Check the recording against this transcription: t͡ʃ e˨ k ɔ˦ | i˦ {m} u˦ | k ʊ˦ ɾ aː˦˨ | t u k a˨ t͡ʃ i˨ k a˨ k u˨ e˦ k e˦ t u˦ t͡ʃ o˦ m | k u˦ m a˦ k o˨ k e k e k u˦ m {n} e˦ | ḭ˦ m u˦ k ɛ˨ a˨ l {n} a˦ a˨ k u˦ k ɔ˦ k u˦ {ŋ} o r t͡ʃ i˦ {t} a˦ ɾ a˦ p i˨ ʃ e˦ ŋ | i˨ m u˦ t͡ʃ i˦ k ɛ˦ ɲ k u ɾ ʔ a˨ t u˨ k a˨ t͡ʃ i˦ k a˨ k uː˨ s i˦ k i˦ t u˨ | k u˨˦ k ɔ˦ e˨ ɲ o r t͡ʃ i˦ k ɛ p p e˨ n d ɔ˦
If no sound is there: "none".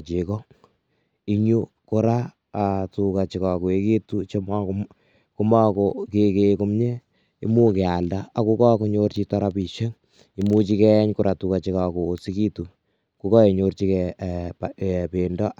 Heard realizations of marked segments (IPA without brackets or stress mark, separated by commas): ɲ, ɲ, d, ɲ, t